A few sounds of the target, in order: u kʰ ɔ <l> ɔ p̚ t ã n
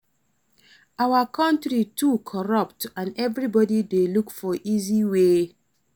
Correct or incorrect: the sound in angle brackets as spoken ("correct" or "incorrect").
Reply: incorrect